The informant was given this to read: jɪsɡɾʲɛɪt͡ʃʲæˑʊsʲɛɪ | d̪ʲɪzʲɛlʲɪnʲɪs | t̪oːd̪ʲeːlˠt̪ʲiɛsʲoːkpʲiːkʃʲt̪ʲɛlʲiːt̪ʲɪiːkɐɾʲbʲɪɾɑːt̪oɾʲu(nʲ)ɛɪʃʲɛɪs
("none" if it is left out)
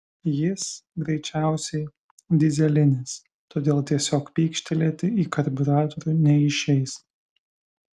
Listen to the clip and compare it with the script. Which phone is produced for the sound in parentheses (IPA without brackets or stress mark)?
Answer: nʲ